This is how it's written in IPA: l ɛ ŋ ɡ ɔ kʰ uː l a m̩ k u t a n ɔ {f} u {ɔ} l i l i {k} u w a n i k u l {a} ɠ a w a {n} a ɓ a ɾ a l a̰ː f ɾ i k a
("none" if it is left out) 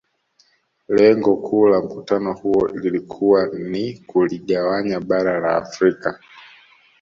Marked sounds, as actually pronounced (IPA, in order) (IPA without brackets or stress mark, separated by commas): h, ɔ, kʰ, i, ɲ